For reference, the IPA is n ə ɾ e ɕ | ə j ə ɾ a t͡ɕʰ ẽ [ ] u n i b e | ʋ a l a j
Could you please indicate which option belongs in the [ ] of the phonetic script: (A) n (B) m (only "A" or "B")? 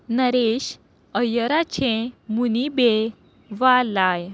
B